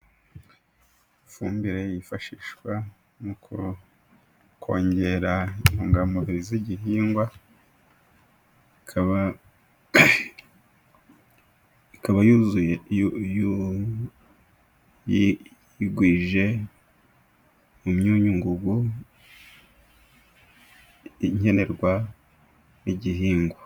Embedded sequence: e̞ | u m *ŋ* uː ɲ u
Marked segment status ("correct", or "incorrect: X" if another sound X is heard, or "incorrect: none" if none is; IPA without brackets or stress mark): incorrect: ɲ